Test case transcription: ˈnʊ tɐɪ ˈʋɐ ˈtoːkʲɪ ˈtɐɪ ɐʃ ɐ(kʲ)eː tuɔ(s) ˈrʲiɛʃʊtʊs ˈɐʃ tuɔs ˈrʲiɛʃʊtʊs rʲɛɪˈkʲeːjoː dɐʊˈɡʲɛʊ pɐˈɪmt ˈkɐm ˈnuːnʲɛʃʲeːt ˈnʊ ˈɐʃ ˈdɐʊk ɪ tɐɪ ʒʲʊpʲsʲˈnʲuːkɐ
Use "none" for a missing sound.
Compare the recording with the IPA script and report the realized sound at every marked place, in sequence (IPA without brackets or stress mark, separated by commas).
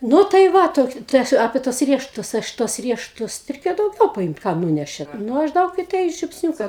pʲ, s